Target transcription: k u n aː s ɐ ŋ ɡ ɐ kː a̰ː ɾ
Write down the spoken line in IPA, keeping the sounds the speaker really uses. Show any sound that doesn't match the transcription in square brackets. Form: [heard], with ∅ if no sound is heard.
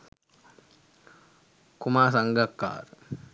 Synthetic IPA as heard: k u [m] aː s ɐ ŋ ɡ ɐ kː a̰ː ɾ